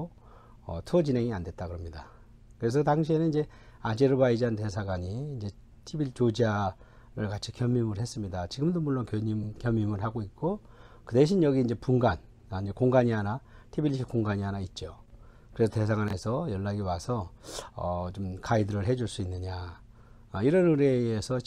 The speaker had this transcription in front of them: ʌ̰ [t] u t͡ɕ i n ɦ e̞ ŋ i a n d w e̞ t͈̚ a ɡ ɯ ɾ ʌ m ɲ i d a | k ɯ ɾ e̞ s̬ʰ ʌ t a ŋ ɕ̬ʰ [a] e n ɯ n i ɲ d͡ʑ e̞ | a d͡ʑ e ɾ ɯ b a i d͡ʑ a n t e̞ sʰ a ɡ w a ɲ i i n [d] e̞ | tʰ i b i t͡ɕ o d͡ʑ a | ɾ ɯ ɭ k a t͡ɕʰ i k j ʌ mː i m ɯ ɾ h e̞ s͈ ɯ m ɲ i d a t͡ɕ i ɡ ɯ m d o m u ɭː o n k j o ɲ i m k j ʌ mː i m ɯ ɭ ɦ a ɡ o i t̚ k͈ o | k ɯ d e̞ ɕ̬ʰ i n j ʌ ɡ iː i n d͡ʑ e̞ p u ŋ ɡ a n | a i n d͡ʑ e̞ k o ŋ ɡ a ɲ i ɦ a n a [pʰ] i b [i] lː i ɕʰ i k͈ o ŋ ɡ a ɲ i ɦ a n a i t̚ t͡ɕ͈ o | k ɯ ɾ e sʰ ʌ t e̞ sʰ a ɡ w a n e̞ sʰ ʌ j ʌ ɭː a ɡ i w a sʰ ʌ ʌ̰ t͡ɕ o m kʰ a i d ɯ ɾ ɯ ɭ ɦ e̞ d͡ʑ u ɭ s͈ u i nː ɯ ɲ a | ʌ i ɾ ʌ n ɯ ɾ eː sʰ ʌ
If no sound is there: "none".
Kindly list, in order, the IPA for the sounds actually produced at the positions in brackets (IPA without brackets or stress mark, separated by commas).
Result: tʰ, i, d͡ʑ, tʰ, i